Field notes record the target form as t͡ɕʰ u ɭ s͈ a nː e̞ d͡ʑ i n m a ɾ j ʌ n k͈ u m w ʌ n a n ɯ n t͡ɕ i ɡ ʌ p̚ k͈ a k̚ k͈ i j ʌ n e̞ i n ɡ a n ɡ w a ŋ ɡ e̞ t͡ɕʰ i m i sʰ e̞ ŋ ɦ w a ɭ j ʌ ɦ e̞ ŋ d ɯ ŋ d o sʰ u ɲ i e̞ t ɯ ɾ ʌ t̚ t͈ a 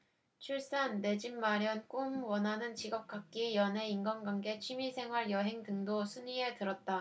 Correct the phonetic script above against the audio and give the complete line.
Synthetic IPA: t͡ɕʰ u ɭ s͈ a nː e̞ d͡ʑ i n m a ɾ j ʌ n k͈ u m w ʌ n a n ɯ n t͡ɕ i ɡ ʌ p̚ k͈ a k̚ k͈ i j ʌ n e̞ i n ɡ ʌ n ɡ w a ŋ ɡ e̞ t͡ɕʰ i m i sʰ e̞ ŋ ɦ w a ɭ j ʌ ɦ e̞ ŋ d ɯ ŋ d o sʰ u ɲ i e̞ t ɯ ɾ ʌ t̚ t͈ a